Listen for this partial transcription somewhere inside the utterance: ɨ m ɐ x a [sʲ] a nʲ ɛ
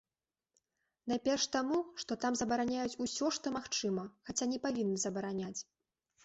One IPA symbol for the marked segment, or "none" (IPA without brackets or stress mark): t͡sʲ